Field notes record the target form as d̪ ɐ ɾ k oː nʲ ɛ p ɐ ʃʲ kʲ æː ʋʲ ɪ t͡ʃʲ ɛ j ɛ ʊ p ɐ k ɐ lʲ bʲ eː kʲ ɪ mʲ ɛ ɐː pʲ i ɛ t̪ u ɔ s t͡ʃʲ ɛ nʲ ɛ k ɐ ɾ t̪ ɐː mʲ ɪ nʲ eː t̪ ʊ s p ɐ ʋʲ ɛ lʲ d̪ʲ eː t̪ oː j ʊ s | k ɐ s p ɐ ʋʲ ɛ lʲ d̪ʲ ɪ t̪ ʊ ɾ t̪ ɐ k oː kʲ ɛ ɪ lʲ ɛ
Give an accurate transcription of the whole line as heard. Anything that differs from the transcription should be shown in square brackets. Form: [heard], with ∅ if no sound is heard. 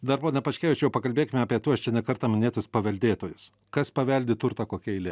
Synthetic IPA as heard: d̪ ɐ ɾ [p] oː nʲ ɛ p ɐ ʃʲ kʲ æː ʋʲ ɪ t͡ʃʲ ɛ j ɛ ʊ p ɐ k ɐ lʲ bʲ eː kʲ ɪ mʲ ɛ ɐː pʲ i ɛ t̪ u ɔ s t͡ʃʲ ɛ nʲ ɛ k ɐ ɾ t̪ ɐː mʲ ɪ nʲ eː t̪ ʊ s p ɐ ʋʲ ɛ lʲ d̪ʲ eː t̪ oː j ʊ s | k ɐ s p ɐ ʋʲ ɛ lʲ d̪ʲ ɪ t̪ ʊ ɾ t̪ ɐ k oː kʲ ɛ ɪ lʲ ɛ